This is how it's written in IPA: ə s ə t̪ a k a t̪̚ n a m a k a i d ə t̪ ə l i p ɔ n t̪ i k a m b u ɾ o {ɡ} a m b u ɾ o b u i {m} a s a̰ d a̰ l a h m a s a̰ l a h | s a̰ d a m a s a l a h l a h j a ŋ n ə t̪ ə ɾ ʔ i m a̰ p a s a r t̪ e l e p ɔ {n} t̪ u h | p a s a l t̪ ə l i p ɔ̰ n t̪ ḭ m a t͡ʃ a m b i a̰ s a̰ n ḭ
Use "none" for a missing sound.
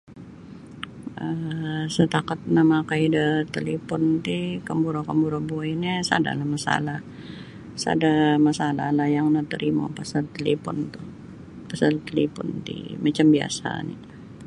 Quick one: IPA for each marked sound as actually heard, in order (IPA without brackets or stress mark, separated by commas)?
k, n, n